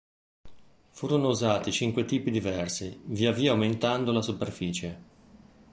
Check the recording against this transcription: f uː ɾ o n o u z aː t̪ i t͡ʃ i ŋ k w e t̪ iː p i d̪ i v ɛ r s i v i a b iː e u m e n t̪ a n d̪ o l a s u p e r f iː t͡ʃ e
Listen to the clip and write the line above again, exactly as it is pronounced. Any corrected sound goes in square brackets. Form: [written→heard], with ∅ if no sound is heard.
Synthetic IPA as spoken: f uː ɾ o n o u z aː t̪ i t͡ʃ i ŋ k w e t̪ iː p i d̪ i v ɛ r s i v i a [b→v] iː [e→a] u m e n t̪ a n d̪ o l a s u p e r f iː t͡ʃ e